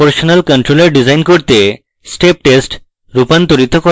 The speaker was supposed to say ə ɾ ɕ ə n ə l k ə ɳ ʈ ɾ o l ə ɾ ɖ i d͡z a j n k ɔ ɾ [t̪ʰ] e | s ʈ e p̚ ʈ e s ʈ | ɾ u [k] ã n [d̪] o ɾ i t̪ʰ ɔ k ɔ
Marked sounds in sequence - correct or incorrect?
incorrect: t̪, incorrect: p, incorrect: t̪

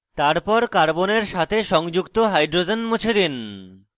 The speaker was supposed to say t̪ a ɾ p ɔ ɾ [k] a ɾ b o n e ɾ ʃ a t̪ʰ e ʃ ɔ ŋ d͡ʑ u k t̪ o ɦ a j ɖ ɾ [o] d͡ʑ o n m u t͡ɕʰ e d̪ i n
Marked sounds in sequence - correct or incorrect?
correct, correct

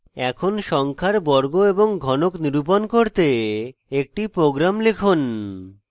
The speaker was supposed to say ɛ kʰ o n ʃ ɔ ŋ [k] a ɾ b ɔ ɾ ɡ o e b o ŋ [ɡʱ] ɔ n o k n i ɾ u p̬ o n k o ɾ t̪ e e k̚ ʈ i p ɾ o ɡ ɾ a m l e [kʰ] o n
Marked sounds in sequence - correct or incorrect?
incorrect: kʰ, correct, correct

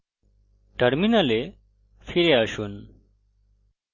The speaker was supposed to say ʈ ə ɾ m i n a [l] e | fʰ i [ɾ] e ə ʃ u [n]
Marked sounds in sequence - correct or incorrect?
correct, correct, correct

